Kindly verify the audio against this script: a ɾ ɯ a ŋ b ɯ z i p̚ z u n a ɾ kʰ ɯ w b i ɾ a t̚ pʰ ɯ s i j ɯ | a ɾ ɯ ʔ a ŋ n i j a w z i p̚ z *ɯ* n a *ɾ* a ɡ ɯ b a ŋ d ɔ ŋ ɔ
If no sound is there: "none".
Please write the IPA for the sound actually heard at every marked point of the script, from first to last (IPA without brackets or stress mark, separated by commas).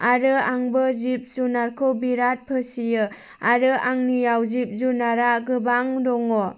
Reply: u, ɾ